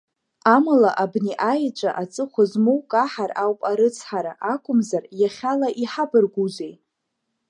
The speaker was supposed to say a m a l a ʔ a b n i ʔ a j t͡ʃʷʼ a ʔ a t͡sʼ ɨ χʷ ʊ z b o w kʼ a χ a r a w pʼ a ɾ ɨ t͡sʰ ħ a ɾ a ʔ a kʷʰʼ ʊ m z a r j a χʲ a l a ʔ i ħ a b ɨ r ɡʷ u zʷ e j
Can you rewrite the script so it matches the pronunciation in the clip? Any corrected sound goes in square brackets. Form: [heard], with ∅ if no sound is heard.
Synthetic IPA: a m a l a ʔ a b n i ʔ a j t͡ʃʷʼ a ʔ a t͡sʼ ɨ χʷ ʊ z [m] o w kʼ a [ħ] a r a w pʼ a ɾ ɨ t͡sʰ ħ a ɾ a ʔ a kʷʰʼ ʊ m z a r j a χʲ a l a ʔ i ħ a b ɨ r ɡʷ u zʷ e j

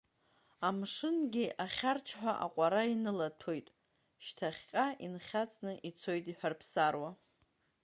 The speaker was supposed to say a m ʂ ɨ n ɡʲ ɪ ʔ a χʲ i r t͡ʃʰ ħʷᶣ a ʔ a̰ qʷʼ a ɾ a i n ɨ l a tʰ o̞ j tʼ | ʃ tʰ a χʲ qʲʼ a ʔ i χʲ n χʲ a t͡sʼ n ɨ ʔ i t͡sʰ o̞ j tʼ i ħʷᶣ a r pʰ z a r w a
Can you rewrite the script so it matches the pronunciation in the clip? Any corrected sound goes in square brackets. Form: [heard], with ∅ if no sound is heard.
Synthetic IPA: a m ʂ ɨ n ɡʲ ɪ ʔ a χʲ [a] r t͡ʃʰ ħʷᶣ a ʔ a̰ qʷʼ a ɾ a i n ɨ l a tʰ o̞ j tʼ | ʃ tʰ a χʲ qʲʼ a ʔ i [∅] n χʲ a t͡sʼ n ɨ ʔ i t͡sʰ o̞ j tʼ i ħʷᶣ a r pʰ [s] a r w a

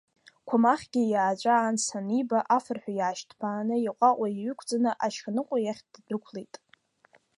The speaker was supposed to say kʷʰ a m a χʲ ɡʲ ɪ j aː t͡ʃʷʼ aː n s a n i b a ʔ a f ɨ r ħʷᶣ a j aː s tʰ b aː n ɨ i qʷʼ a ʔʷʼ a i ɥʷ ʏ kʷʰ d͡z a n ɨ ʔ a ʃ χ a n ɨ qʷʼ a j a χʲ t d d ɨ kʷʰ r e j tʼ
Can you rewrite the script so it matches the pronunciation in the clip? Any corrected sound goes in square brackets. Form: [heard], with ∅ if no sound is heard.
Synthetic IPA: kʷʰ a m a χʲ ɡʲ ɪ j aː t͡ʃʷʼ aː n s a n i b a ʔ a f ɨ r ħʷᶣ a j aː [ʃ] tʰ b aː n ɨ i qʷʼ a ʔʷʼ a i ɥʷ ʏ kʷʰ d͡z a n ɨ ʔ a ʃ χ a n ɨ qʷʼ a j a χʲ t d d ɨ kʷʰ [l] e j tʼ

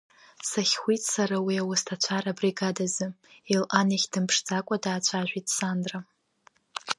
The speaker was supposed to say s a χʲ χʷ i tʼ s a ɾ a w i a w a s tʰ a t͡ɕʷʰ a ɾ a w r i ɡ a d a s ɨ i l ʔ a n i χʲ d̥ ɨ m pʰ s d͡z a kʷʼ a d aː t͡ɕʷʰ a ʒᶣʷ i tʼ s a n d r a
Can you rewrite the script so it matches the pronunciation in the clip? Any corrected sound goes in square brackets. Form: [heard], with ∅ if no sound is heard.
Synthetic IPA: s a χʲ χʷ i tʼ s a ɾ a w i a w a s tʰ a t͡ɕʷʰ a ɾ a [b] r i ɡ a d a [z] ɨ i l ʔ a n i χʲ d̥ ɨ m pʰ [ʂ] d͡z a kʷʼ a d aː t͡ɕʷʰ a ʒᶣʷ i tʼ s a n d r a

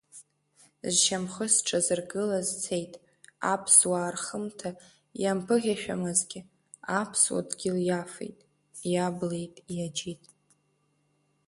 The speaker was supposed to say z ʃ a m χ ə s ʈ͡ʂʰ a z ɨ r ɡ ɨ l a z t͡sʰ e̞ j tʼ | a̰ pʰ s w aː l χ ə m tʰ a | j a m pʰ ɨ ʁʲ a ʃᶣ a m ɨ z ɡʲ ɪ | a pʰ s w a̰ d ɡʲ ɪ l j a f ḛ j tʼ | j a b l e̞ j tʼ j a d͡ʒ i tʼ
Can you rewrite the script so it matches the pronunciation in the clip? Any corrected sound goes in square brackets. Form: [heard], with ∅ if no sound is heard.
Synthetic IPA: z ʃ a m χ ə s ʈ͡ʂʰ a z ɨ r ɡ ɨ l a z t͡sʰ e̞ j tʼ | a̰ pʰ s w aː [r] χ ə m tʰ a | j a m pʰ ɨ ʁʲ a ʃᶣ a m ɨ z ɡʲ ɪ | a pʰ s w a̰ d ɡʲ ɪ l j a f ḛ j tʼ | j a b l e̞ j tʼ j a d͡ʒ i tʼ

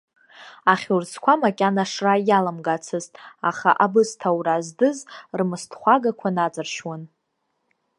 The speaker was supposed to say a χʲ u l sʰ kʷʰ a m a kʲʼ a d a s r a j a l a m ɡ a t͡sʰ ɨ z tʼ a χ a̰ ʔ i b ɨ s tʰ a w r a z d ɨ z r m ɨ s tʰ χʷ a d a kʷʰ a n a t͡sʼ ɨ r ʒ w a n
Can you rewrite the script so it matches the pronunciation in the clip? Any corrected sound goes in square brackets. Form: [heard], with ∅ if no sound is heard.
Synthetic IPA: a χʲ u [r] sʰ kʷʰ a m a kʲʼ a [n] a [ʂ] r a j a l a m ɡ a t͡sʰ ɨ z tʼ a χ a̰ ʔ [a] b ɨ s tʰ a w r a z d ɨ z r m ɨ s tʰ χʷ a [ɡ] a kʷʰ a n a t͡sʼ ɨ r [ʃ] w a n

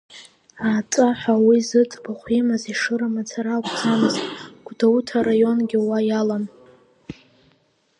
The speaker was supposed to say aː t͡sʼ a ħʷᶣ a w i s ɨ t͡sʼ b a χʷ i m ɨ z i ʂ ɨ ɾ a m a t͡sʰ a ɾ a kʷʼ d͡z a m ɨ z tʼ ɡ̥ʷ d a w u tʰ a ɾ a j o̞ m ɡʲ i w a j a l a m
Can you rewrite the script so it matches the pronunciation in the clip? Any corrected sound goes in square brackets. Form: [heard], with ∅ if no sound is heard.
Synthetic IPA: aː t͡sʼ a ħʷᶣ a w i [z] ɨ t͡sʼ b a χʷ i m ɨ z i ʂ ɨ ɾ a m a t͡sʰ a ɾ a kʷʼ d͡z a m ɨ z tʼ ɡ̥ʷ d a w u tʰ a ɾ a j o̞ [n] ɡʲ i w a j a l a m

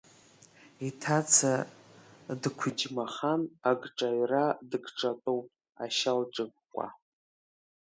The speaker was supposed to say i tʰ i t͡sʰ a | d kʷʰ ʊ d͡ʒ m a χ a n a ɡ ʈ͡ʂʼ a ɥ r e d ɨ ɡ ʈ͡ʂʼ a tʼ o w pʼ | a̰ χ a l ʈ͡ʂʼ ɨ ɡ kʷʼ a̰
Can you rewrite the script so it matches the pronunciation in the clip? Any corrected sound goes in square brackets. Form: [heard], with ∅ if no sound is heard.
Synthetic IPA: i tʰ [a] t͡sʰ a | d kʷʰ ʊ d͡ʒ m a χ a n a ɡ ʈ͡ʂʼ a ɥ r [a] d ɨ ɡ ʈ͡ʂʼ a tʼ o w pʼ | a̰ [ʃ] a l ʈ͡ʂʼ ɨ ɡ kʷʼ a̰

